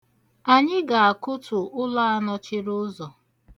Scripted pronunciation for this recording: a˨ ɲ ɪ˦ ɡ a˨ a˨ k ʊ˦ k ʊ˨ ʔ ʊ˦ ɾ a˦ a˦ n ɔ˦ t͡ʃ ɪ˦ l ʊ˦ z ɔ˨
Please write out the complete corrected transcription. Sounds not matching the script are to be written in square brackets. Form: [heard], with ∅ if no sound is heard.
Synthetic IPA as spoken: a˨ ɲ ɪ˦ ɡ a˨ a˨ k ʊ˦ [t] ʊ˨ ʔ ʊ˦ [l] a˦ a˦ n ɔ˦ t͡ʃ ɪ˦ [ɾ] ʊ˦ z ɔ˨